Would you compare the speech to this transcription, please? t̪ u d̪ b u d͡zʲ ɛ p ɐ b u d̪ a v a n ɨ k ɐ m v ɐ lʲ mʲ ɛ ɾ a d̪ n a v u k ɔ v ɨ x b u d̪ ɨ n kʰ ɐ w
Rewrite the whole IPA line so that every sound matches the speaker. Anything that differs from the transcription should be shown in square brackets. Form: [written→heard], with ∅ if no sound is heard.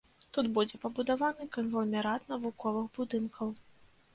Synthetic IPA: t̪ u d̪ b u d͡zʲ ɛ p ɐ b u d̪ a v a n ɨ k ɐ [m→n] v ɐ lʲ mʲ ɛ ɾ a [d̪→t̪] n [a→ɐ] v u k ɔ v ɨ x b u d̪ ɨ n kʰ ɐ w